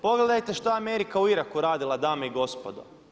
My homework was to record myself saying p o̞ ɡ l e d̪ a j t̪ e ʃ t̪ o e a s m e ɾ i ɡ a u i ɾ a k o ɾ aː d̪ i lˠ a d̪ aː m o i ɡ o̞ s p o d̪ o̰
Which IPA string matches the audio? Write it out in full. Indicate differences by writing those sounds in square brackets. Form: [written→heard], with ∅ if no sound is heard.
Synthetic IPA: p o̞ ɡ l e d̪ a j t̪ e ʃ t̪ o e a [s→∅] m e ɾ i [ɡ→k] a u i ɾ a k [o→u] ɾ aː d̪ i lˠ a d̪ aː m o i ɡ o̞ s p o d̪ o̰